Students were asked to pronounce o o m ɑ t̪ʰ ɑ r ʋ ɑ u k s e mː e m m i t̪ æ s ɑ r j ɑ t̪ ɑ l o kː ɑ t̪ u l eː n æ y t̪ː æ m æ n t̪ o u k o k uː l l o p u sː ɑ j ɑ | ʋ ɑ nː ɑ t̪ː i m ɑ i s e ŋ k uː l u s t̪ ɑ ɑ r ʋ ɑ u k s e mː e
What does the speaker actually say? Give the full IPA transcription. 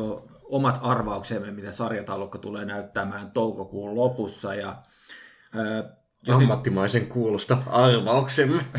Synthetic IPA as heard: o o m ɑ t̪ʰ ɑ r ʋ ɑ u k s e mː e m m i t̪ æ s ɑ r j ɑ t̪ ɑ l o kː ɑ t̪ u l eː n æ y t̪ː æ m æː n t̪ o u k o k uː l l o p u sː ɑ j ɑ | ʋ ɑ mː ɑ t̪ː i m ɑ i s e ŋ k uː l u s t̪ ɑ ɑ r ʋ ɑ u k s e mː e